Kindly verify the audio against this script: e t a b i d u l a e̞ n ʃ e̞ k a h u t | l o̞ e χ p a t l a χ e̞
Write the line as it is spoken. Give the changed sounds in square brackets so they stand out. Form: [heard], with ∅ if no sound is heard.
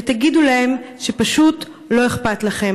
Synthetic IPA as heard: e t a [ɡ] i d u l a e̞ [m] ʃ e̞ [p] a [ʃ] u t | l o̞ e χ p a t l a χ e̞